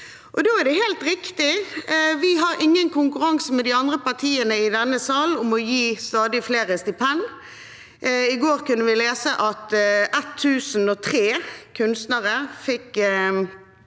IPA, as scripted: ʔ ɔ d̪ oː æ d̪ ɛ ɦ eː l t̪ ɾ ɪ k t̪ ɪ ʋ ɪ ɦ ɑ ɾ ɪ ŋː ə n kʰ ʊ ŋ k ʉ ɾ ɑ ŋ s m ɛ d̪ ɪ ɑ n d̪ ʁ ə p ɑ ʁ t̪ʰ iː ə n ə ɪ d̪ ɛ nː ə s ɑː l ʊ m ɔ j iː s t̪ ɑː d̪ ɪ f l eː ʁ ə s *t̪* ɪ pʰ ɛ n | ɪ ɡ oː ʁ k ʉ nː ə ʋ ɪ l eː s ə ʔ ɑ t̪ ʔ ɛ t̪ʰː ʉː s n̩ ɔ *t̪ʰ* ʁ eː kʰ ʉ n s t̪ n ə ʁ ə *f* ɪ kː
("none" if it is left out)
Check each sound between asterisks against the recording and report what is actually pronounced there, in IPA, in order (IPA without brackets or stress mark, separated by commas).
t̪, t̪ʰ, f